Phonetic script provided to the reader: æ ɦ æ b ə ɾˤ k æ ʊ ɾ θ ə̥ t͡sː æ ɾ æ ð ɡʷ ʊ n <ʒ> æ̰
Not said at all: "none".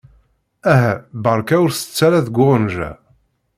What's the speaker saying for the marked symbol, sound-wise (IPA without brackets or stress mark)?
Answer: ʒ